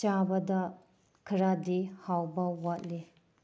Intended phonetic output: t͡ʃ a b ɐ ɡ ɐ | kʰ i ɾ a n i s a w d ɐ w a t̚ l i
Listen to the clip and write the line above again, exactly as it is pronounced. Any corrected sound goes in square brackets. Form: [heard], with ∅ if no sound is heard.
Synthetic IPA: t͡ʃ a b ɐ [d] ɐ | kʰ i ɾ a [d] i [h] a w [b] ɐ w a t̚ l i

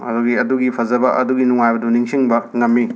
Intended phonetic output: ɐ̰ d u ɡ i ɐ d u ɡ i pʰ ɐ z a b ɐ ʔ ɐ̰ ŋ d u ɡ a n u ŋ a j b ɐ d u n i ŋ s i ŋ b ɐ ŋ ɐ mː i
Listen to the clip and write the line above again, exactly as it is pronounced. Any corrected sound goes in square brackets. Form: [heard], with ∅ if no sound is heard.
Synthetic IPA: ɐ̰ d u ɡ i ɐ d u ɡ i pʰ ɐ z [ɐ] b ɐ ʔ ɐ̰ [∅] d u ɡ [i] n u ŋ a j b ɐ d u n i ŋ s i ŋ b ɐ ŋ ɐ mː i

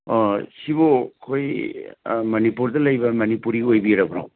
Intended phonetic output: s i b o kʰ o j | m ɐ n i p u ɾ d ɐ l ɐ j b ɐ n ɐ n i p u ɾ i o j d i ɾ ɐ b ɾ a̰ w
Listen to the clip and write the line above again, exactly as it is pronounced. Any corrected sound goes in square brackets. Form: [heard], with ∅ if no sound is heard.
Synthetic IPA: s i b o kʰ o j | m ɐ n i p u ɾ d ɐ l ɐ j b ɐ [m] ɐ n i p u ɾ i o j [b] i ɾ ɐ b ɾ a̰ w

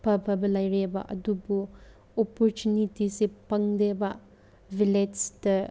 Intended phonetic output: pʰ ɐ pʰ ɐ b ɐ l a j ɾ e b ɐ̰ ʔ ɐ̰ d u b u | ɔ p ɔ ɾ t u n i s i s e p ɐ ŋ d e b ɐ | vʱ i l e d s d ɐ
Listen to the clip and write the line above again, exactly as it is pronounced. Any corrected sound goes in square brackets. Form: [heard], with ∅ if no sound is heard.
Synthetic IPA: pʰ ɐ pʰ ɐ b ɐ l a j ɾ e b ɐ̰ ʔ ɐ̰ d u b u | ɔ p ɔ ɾ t u n i [t] i s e p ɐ ŋ d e b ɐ | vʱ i l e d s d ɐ

